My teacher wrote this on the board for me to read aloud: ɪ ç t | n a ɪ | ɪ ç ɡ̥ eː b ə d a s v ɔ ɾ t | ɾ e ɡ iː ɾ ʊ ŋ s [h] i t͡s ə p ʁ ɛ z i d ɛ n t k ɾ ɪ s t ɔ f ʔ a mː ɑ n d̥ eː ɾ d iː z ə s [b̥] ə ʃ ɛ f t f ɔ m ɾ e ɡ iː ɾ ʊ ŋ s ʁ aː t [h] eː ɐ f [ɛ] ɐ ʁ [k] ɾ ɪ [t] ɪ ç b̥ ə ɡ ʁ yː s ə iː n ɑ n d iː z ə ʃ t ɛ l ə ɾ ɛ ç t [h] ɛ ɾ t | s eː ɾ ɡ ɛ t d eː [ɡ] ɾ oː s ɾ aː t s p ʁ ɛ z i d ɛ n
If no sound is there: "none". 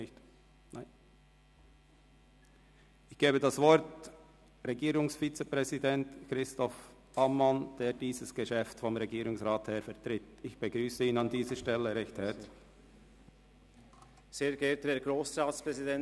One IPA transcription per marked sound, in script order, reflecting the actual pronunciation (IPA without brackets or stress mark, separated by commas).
f, ɡ̥, h, ɛ, t, t, h, ɡ